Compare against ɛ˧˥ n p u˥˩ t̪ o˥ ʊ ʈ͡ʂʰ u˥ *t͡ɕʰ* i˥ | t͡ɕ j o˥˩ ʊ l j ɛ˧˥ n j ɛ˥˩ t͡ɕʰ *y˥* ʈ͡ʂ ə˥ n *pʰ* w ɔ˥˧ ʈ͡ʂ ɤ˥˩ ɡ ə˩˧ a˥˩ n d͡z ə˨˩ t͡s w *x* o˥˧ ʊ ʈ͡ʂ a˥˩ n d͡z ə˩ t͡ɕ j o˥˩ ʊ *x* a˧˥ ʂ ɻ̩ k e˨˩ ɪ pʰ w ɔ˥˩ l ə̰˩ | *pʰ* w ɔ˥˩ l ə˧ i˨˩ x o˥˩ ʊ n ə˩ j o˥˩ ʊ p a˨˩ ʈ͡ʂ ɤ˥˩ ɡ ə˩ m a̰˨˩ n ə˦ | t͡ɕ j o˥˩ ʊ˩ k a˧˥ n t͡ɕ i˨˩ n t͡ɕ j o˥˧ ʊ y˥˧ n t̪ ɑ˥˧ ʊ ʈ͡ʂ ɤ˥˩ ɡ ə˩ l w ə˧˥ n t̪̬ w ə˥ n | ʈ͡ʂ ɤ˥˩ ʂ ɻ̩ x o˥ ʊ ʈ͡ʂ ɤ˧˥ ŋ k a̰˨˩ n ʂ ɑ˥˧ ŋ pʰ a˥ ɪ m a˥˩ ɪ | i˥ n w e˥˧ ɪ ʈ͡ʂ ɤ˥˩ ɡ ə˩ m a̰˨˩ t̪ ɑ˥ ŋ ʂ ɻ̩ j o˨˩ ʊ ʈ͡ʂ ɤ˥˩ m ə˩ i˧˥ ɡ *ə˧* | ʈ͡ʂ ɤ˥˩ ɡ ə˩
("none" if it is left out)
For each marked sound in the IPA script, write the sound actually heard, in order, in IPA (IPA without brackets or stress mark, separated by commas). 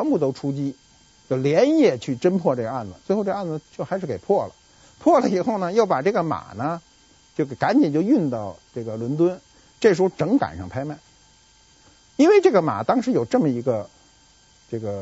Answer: t͡ɕ, y˥˩, pʰ, x, x, pʰ, ə˧